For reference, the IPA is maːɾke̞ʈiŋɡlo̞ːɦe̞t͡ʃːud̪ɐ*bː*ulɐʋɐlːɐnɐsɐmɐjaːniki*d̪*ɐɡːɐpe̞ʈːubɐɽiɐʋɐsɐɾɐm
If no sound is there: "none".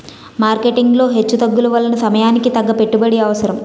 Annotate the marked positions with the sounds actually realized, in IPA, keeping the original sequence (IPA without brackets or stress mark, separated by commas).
ɡː, t̪